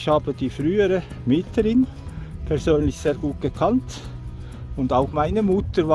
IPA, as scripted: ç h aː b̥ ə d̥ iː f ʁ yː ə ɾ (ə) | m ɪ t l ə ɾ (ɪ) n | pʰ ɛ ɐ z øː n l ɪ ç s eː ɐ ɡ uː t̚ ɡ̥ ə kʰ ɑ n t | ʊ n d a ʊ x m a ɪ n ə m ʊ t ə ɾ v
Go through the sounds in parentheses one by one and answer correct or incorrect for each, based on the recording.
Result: correct, correct

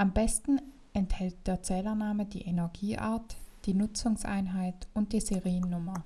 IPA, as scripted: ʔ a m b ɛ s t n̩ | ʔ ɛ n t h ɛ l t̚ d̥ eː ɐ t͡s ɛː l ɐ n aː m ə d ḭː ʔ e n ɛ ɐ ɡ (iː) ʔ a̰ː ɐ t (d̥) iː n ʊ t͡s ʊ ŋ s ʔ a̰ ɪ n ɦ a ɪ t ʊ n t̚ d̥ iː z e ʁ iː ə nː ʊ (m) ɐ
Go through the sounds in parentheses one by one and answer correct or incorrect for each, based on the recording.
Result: correct, correct, correct

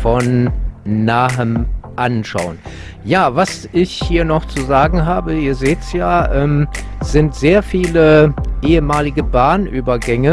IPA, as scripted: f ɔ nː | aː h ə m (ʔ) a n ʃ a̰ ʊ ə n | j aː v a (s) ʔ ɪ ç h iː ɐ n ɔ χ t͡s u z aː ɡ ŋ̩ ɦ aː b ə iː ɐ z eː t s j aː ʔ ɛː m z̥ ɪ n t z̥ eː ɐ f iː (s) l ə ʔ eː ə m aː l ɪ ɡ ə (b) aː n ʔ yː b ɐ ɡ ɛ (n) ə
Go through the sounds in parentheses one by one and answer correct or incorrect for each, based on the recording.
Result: correct, correct, incorrect: none, correct, incorrect: ŋ

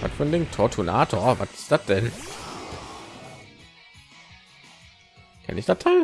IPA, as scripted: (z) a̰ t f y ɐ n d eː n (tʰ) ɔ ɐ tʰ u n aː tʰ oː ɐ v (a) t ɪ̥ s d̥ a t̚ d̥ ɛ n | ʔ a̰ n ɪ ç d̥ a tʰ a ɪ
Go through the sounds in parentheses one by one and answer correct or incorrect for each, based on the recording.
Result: incorrect: v, correct, correct

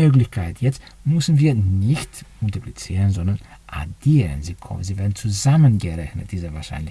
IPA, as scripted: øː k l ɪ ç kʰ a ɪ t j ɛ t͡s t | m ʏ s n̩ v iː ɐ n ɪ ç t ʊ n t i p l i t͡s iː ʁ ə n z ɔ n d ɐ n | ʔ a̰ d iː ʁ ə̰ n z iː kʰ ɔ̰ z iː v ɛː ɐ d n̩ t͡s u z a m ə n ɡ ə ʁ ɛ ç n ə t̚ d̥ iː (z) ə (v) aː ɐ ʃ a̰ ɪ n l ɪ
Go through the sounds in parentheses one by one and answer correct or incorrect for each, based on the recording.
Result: correct, correct

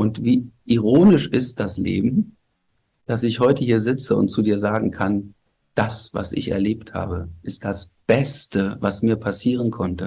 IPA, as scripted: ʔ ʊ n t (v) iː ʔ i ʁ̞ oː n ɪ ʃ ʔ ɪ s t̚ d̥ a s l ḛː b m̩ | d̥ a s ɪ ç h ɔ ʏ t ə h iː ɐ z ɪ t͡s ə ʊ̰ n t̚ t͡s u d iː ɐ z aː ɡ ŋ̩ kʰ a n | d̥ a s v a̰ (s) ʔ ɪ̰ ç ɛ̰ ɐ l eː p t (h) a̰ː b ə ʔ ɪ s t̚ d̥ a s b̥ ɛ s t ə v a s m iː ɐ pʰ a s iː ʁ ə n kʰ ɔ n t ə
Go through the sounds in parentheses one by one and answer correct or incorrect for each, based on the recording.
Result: correct, correct, correct

